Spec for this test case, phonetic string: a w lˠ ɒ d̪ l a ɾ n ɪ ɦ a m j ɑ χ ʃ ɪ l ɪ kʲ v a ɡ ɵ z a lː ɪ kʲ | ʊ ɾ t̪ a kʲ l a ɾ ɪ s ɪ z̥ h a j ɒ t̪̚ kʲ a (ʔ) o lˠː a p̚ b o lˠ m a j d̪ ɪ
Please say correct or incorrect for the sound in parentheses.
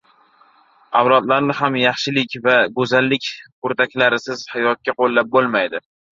incorrect: q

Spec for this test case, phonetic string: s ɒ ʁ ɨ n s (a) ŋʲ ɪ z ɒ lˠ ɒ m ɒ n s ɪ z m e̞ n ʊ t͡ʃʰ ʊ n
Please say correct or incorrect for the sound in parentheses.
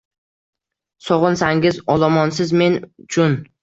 correct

